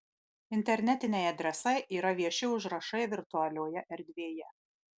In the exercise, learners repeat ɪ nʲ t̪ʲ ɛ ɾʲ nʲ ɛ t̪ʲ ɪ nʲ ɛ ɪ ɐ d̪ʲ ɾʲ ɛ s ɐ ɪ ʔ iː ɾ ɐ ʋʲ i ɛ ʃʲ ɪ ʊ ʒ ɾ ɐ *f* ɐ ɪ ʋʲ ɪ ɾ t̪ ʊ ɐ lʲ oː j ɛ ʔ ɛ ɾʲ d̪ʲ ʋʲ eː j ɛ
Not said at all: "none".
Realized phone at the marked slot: ʃ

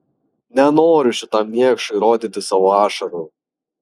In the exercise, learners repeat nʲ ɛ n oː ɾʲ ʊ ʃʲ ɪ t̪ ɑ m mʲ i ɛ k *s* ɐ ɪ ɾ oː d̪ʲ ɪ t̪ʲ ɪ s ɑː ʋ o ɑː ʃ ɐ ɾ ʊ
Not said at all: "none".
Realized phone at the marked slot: ʃ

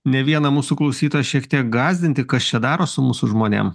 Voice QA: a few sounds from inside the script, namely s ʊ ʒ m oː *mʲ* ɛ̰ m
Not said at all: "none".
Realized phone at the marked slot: nʲ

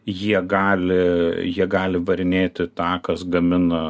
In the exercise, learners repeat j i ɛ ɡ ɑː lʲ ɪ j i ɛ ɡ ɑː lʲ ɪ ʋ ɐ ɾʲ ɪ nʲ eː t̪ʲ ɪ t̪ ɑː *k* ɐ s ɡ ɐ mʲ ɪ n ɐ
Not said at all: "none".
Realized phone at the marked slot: k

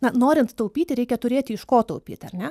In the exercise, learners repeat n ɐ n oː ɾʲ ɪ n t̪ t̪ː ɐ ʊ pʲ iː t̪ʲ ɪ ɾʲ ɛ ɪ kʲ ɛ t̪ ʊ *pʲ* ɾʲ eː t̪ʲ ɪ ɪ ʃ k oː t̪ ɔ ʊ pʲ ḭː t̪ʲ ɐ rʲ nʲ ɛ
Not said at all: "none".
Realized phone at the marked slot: none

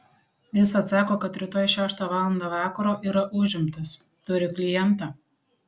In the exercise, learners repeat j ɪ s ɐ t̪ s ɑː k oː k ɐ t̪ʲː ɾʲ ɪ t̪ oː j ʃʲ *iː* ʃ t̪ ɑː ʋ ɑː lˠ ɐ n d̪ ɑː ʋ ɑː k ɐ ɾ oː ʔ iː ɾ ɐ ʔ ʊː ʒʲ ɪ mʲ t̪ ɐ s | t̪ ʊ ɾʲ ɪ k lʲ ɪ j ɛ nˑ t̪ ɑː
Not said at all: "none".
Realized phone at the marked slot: æː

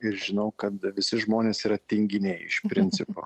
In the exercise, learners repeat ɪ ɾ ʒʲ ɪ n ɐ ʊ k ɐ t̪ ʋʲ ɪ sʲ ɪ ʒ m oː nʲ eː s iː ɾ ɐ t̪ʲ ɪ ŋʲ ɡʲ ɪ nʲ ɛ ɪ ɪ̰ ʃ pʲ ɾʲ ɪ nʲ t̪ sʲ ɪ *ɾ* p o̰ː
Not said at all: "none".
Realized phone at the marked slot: none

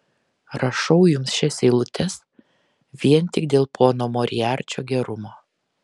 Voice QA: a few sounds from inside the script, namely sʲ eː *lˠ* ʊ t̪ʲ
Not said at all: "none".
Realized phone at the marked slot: lˠ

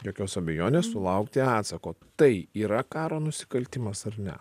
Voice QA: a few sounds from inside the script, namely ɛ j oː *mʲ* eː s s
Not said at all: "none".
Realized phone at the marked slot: nʲ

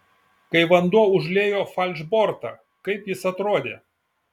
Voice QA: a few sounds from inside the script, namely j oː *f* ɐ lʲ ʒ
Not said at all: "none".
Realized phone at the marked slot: f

